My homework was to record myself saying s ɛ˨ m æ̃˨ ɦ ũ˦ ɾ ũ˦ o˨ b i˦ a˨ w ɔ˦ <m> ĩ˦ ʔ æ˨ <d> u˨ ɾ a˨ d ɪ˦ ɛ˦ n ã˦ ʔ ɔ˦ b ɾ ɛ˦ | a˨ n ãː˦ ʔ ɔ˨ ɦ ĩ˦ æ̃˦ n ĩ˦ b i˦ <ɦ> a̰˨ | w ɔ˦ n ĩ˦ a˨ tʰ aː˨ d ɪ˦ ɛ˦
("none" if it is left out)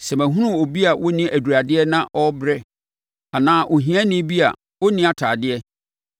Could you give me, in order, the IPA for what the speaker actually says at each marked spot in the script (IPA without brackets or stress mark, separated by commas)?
n, d, none